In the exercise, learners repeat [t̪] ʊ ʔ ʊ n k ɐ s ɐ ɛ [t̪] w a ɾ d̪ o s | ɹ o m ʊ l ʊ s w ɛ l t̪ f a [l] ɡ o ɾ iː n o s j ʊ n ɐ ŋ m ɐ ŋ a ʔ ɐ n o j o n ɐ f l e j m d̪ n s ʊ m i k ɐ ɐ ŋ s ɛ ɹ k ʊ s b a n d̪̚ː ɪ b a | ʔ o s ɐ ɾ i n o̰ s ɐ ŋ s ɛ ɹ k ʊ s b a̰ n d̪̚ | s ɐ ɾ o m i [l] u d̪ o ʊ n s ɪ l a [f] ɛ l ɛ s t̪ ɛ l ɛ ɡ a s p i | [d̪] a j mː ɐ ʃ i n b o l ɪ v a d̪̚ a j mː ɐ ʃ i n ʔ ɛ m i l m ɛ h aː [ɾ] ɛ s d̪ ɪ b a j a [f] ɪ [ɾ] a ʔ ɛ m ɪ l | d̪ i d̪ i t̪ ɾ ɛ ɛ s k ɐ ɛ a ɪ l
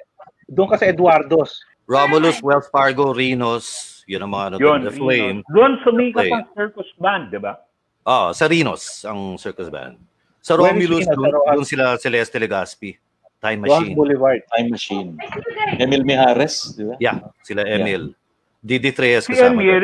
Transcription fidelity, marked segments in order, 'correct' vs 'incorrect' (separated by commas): incorrect, incorrect, incorrect, correct, incorrect, incorrect, correct, incorrect, incorrect